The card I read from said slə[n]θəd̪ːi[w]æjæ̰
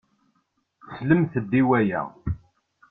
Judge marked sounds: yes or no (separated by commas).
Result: no, yes